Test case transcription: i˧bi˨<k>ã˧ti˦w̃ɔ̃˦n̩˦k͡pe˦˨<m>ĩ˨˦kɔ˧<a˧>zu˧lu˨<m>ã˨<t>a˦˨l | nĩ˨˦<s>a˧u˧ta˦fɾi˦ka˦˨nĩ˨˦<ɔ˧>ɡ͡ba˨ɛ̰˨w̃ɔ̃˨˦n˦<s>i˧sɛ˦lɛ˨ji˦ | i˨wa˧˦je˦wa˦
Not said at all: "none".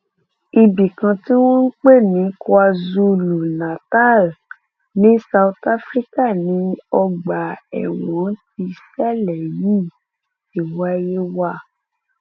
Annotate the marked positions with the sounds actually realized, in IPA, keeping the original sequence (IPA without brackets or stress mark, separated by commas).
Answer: k, n, a˧, n, t, s, ɔ˧, t